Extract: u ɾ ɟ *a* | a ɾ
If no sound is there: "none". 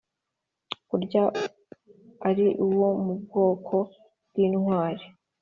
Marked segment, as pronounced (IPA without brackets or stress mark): a